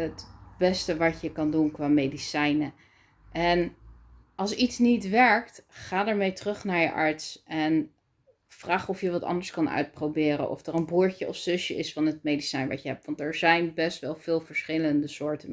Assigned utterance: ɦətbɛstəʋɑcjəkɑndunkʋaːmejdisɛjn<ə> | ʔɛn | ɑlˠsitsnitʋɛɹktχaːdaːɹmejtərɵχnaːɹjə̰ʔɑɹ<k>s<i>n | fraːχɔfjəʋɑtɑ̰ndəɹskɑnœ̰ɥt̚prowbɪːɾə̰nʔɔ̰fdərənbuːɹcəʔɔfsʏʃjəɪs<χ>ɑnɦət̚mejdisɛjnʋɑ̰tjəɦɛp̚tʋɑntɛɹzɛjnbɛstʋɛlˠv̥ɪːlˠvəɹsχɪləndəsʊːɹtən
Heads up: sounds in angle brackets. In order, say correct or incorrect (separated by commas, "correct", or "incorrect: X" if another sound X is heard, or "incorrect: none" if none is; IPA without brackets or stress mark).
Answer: correct, incorrect: t, incorrect: ɛ, incorrect: f